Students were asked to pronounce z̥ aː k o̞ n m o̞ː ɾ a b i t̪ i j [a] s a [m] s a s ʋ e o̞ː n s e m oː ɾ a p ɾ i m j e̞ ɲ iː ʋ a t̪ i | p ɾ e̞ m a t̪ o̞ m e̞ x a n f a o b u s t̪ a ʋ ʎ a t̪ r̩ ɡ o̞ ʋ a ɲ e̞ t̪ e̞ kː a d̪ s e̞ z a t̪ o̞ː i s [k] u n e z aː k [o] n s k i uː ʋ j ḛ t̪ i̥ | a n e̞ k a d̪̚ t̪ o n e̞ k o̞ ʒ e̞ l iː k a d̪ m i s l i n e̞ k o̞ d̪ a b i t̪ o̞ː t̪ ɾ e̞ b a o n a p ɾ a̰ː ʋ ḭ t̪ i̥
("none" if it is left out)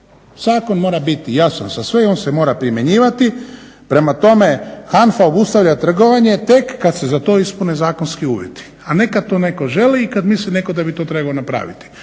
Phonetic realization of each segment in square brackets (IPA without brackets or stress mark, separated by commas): a, n, p, o